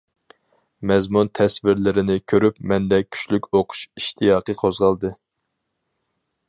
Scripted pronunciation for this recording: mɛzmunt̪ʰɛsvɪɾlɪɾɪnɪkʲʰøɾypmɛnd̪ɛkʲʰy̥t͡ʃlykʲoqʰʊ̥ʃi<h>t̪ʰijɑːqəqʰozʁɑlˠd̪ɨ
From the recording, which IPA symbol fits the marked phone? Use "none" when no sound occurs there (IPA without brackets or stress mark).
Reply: ʃ